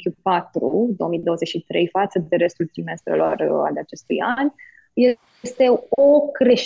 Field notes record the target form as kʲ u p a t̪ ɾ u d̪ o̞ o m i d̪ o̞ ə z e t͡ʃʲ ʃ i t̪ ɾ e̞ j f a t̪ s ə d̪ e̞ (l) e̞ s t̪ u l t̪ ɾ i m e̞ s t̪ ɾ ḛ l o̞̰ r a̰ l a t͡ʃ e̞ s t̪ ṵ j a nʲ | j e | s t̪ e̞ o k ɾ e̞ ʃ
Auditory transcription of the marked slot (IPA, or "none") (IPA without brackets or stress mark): ɾ